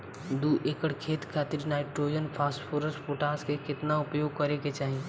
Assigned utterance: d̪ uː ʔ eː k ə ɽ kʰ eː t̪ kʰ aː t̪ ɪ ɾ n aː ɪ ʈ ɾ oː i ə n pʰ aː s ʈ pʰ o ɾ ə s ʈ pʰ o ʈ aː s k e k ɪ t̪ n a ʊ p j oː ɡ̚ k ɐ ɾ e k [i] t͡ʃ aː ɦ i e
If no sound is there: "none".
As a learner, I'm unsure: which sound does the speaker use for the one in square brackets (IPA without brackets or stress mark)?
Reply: e